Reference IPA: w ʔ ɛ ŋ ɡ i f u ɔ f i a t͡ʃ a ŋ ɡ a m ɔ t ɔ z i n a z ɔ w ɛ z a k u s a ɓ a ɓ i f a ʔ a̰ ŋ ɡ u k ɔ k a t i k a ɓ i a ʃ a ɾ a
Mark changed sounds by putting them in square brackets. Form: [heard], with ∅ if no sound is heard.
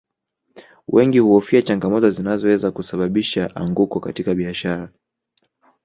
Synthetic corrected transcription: w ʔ ɛ ŋ ɡ i [h] u ɔ f i a t͡ʃ a ŋ ɡ a m ɔ t ɔ z i n a z ɔ w ɛ z a k u s a ɓ a ɓ i [ʃ] a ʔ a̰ ŋ ɡ u k ɔ k a t i k a ɓ i a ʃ a ɾ a